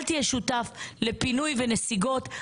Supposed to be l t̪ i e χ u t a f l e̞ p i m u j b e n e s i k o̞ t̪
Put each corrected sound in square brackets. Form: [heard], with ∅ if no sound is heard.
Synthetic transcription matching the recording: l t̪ i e [ʃ] u t a f l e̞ p i [n] u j [v] e n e s i [ɡ] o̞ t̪